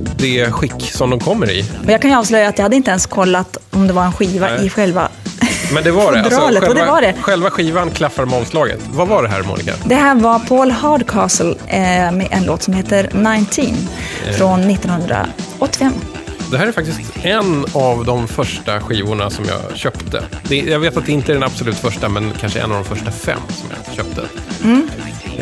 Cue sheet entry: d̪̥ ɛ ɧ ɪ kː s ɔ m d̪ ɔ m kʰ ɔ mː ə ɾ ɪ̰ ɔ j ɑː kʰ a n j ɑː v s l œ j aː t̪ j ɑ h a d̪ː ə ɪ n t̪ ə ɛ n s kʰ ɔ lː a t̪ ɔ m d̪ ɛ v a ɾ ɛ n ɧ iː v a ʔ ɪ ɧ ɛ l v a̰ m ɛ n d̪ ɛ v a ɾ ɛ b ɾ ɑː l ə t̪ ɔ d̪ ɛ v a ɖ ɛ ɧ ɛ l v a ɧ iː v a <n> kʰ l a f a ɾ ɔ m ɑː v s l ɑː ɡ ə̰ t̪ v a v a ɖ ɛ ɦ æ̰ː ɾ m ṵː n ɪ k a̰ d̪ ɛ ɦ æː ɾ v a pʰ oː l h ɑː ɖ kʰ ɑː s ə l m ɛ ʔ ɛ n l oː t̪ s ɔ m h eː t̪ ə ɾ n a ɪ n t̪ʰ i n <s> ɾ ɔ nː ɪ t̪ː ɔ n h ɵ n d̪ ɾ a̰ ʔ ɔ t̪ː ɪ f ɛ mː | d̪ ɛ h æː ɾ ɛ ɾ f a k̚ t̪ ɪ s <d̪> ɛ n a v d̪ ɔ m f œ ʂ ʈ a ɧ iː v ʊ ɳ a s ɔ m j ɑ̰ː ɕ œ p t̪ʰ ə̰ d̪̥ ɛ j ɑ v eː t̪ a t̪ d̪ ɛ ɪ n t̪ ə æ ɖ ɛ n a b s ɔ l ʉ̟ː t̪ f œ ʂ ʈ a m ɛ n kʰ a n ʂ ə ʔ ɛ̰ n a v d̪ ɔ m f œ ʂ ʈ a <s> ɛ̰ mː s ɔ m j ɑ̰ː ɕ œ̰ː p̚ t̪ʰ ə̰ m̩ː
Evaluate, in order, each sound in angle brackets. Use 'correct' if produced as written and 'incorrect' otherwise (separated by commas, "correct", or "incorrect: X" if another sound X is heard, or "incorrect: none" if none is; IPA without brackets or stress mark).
correct, incorrect: f, incorrect: t̪, incorrect: f